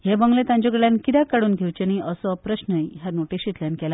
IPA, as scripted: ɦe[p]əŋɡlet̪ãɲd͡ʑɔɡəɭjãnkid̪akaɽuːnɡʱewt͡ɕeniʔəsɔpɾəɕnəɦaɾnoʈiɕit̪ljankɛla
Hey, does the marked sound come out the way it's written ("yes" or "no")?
no